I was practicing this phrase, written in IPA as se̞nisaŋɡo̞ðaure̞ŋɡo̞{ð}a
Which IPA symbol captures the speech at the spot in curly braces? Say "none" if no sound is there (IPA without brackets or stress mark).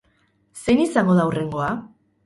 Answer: none